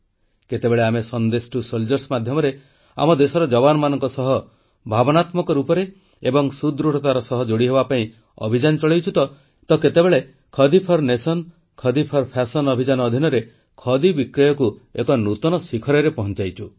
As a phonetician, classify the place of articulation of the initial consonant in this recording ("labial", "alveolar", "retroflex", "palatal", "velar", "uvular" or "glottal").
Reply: velar